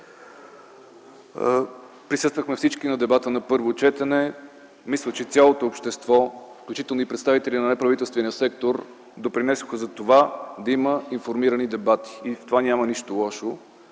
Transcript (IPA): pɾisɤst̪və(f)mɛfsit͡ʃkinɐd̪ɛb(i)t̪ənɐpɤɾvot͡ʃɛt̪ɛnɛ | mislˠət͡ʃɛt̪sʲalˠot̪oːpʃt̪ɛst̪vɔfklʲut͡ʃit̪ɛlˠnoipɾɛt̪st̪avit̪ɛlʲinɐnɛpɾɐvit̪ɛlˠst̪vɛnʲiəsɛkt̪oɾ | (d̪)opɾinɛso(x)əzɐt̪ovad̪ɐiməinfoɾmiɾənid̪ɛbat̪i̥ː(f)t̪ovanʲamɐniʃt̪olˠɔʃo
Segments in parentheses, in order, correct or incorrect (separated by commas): incorrect, incorrect, correct, correct, correct